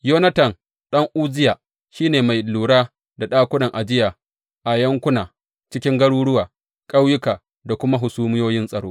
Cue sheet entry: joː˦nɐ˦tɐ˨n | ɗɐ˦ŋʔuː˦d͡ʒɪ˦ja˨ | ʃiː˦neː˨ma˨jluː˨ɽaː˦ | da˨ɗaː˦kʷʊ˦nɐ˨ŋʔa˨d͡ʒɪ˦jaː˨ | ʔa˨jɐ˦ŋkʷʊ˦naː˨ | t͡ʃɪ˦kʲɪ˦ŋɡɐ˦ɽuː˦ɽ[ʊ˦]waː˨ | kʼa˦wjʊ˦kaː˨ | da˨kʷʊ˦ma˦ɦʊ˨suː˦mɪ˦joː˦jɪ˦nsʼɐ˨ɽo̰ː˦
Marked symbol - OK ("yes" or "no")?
yes